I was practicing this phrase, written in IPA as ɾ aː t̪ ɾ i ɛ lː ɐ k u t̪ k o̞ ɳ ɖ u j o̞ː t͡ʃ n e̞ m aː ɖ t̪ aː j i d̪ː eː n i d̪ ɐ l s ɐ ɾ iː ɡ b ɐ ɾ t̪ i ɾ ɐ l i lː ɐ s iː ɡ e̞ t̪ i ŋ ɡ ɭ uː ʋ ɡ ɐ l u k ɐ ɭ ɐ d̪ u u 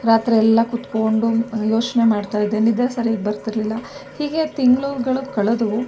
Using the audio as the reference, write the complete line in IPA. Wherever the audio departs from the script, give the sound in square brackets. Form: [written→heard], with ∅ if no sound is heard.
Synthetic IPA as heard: ɾ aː t̪ ɾ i ɛ lː ɐ k u t̪ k o̞ ɳ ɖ u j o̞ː t͡ʃ n e̞ m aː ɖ t̪ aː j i d̪ː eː n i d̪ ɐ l s ɐ ɾ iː ɡ b ɐ ɾ t̪ i ɾ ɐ l i lː ɐ [s→h] iː ɡ e̞ t̪ i ŋ ɡ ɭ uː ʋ ɡ ɐ [l→ɭ] u k ɐ ɭ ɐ d̪ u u

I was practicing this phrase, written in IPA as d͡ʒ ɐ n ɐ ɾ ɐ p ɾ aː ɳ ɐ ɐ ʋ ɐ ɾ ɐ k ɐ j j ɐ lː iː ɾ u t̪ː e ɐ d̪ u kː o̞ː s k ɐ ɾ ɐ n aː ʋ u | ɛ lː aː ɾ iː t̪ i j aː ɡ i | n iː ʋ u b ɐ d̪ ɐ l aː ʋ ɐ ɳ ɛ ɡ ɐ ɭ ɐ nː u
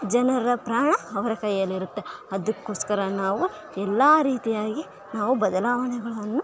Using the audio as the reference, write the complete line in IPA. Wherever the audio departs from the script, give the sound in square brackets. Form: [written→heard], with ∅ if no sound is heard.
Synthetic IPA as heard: d͡ʒ ɐ n ɐ ɾ ɐ p ɾ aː ɳ ɐ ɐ ʋ ɐ ɾ ɐ k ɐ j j ɐ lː [iː→i] ɾ u t̪ː e ɐ d̪ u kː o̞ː s k ɐ ɾ ɐ n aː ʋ u | ɛ lː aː ɾ iː t̪ i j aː ɡ i | n [iː→aː] ʋ u b ɐ d̪ ɐ l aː ʋ ɐ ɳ ɛ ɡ ɐ ɭ ɐ nː u

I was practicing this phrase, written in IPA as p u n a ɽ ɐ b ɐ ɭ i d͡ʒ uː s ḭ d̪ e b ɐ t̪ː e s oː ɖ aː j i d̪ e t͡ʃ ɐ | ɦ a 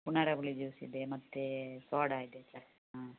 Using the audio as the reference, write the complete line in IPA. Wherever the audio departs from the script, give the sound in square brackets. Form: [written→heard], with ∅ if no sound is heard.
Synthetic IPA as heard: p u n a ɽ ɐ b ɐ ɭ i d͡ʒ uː s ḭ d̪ e [b→m] ɐ t̪ː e s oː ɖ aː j i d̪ e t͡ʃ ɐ | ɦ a

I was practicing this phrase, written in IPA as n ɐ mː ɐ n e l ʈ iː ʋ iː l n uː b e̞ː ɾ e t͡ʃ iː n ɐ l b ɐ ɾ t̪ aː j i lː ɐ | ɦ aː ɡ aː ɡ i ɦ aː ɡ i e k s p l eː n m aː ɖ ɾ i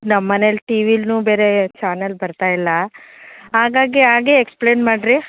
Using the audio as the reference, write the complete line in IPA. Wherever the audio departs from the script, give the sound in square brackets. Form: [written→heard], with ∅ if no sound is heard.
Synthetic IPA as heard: n ɐ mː ɐ n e l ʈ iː ʋ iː l n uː b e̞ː ɾ e t͡ʃ [iː→aː] n ɐ l b ɐ ɾ t̪ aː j i lː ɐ | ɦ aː ɡ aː ɡ i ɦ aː ɡ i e k s p l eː n m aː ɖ ɾ i

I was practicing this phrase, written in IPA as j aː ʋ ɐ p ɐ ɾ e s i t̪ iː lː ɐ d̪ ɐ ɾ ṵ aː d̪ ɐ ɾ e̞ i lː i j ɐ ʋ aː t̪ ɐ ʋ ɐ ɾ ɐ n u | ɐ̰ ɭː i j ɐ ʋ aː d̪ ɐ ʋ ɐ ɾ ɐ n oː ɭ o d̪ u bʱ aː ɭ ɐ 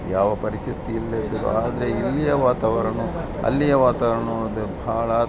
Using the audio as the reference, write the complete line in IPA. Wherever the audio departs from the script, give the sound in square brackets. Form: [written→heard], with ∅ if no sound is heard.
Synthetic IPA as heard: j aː ʋ ɐ p ɐ ɾ [e→i] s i t̪ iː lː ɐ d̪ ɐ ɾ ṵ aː d̪ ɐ ɾ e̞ i lː i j ɐ ʋ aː t̪ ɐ ʋ ɐ ɾ ɐ n u | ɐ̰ [ɭː→lː] i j ɐ ʋ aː [d̪→t̪] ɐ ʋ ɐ ɾ ɐ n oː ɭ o d̪ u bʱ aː ɭ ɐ

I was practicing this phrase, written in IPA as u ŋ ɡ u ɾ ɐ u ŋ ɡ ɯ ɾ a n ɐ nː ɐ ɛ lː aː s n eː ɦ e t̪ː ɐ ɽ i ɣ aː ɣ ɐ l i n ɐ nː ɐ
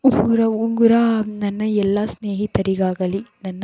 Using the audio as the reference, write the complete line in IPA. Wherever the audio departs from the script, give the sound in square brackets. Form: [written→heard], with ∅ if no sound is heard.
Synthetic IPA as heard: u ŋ ɡ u ɾ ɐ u ŋ ɡ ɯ ɾ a n ɐ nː ɐ ɛ lː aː s n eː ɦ [e→i] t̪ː ɐ [ɽ→ɾ] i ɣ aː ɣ ɐ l i n ɐ nː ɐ

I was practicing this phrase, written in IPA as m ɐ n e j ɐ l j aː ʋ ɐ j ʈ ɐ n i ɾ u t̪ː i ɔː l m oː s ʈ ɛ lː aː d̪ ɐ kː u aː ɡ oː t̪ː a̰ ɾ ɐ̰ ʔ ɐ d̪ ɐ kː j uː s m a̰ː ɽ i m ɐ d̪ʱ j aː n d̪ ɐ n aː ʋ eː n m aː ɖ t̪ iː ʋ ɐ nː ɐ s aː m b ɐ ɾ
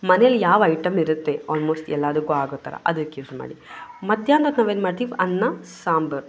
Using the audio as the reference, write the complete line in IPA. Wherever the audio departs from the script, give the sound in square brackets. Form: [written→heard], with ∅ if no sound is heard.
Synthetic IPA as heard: m ɐ n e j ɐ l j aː ʋ ɐ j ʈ ɐ [n→m] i ɾ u t̪ː [i→e] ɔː l m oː s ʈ ɛ lː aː d̪ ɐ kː u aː ɡ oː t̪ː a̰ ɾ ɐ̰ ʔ ɐ d̪ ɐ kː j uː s m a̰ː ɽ i m ɐ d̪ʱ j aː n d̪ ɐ n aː ʋ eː n m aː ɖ t̪ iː ʋ ɐ nː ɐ s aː m b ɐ ɾ

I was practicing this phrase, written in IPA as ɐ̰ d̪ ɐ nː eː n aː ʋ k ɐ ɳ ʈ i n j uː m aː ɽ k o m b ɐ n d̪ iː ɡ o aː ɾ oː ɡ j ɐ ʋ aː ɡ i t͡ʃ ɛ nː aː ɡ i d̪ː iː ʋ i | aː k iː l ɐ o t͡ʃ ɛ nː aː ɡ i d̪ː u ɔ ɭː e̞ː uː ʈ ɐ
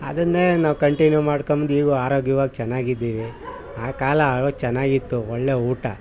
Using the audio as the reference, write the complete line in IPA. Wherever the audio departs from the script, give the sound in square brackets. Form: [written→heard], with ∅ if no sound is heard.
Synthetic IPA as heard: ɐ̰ d̪ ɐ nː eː n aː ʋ k ɐ ɳ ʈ i n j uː m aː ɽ k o m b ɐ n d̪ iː ɡ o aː ɾ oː ɡ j ɐ ʋ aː ɡ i t͡ʃ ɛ nː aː ɡ i d̪ː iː ʋ i | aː k [iː→aː] l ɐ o t͡ʃ ɛ nː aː ɡ i [d̪ː→t̪ː] u ɔ ɭː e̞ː uː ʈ ɐ

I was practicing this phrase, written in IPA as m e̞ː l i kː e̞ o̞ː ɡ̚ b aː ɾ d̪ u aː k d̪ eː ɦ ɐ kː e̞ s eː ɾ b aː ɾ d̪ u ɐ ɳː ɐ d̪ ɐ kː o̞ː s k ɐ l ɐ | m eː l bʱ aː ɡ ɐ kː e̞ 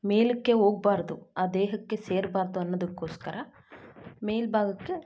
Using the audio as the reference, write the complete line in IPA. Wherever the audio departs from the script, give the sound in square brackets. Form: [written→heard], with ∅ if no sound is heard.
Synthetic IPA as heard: m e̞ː l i kː e̞ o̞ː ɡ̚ b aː ɾ d̪ u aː [k→∅] d̪ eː ɦ ɐ kː e̞ s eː ɾ b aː ɾ d̪ u ɐ [ɳː→nː] ɐ d̪ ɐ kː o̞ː s k ɐ [l→ɾ] ɐ | m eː l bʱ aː ɡ ɐ kː e̞

